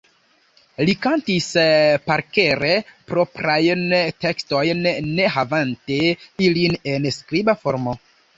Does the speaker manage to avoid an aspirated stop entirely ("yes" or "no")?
yes